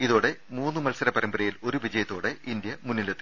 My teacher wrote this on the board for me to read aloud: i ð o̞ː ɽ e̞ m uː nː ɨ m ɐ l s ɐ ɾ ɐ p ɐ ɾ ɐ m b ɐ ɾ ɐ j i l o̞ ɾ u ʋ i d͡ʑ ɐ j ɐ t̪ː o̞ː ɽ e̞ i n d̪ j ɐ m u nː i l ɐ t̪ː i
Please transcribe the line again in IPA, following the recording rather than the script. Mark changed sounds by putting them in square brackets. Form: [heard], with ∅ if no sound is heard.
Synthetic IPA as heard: i ð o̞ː ɽ e̞ m uː nː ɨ m ɐ l s ɐ ɾ ɐ p ɐ ɾ ɐ m b ɐ ɾ ɐ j i l o̞ ɾ u ʋ i d͡ʑ ɐ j ɐ t̪ː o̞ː ɽ e̞ i n d̪ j ɐ m u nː i l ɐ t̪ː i